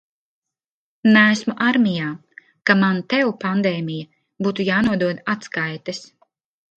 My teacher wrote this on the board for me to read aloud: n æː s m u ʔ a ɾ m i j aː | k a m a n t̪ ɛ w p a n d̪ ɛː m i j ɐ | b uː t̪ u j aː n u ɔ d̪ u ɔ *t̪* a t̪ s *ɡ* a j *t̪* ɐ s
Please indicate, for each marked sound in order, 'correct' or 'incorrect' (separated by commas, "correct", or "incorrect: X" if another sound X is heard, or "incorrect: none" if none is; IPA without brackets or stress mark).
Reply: incorrect: d̪, incorrect: k, correct